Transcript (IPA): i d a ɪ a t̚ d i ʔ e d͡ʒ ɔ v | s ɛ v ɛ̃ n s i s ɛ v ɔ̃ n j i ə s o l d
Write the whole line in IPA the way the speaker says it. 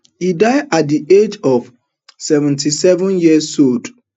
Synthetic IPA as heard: i d a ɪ a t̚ d i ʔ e d͡ʒ ɔ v | s ɛ v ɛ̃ n t i s ɛ v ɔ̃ n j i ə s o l d